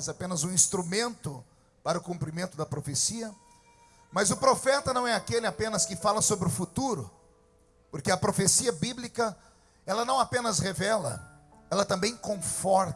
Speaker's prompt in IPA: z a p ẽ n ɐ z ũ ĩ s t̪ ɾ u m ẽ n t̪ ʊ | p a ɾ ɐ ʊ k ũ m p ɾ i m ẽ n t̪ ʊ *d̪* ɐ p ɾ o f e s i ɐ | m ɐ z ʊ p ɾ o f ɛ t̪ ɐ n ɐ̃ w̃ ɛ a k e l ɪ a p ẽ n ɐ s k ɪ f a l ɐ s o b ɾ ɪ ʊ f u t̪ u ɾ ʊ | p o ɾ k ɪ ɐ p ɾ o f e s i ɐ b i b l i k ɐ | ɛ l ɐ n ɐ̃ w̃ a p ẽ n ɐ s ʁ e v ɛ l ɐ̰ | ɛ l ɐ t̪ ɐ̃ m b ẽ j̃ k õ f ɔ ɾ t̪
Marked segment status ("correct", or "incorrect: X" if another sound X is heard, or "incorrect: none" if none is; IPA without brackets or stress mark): correct